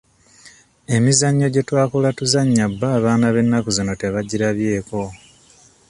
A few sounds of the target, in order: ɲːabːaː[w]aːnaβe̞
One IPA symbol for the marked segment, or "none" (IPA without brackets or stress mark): β